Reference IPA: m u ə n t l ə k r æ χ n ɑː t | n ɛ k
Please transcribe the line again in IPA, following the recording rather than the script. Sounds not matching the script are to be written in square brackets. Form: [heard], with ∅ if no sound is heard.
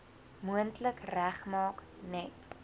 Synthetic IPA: m u ə n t l ə k r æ χ [m] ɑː [k] | n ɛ [t]